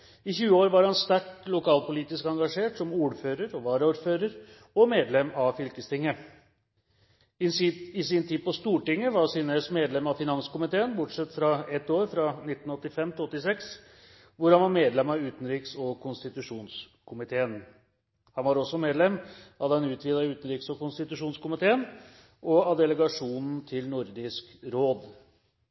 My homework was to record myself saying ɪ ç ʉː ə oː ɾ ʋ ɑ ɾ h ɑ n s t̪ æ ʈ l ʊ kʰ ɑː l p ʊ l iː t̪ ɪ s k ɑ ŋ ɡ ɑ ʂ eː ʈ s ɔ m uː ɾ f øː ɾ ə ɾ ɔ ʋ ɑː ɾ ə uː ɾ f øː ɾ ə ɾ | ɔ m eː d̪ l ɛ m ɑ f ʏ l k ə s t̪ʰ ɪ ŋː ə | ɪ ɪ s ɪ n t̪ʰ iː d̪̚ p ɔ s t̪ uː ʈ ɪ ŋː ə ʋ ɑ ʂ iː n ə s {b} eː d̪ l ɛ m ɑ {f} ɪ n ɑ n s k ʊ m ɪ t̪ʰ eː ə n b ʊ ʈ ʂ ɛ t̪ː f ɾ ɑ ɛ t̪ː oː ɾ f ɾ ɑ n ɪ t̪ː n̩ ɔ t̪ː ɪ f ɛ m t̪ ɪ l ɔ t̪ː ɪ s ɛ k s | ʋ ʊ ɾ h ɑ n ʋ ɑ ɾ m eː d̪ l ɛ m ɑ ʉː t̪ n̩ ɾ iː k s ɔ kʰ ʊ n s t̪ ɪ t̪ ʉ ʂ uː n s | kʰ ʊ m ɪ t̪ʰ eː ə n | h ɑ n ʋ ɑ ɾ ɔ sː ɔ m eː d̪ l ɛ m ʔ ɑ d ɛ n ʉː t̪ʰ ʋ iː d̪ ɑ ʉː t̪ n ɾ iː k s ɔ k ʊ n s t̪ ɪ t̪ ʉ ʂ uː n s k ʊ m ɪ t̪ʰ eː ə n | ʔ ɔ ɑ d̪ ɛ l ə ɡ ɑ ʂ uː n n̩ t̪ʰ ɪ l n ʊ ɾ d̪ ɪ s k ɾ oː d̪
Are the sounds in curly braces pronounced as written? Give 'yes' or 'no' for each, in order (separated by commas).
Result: no, yes